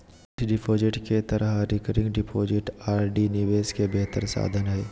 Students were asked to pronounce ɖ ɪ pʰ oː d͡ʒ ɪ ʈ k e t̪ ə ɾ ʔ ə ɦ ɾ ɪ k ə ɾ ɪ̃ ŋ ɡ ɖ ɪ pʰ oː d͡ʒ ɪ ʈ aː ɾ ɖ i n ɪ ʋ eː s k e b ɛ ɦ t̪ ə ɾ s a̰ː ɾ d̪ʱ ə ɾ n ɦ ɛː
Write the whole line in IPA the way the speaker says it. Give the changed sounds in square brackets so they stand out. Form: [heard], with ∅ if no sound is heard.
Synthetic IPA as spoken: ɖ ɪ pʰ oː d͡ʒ ɪ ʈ k e t̪ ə ɾ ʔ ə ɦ ɾ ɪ k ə ɾ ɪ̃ ŋ ɡ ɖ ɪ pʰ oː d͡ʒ ɪ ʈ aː ɾ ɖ i n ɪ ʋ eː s k e b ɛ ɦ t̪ ə ɾ s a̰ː [∅] d̪ʱ ə [∅] n ɦ ɛː